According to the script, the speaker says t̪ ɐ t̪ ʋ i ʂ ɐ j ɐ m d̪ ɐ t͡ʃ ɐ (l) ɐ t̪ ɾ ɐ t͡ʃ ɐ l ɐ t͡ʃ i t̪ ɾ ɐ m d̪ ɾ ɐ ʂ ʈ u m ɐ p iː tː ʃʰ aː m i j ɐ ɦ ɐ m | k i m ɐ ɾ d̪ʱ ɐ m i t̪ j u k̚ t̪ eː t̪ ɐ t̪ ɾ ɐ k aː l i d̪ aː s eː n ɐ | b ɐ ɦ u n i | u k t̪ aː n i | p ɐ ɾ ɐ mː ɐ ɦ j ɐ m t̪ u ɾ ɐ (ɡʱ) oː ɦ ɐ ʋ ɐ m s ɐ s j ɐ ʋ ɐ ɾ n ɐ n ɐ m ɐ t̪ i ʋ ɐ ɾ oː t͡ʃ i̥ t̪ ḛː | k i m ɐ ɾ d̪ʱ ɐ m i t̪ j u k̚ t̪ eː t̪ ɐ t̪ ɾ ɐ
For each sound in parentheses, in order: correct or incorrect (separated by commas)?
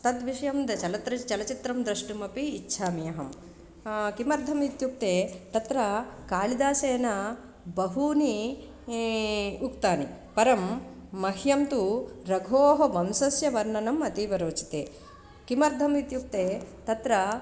correct, correct